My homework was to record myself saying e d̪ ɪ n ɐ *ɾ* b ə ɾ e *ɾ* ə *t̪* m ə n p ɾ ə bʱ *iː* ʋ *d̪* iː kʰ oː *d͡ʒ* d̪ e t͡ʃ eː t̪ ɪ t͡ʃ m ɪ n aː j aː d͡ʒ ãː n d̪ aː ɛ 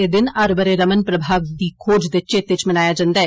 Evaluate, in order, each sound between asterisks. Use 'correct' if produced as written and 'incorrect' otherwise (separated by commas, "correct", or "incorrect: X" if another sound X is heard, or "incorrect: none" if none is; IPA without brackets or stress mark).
correct, correct, incorrect: none, incorrect: aː, correct, correct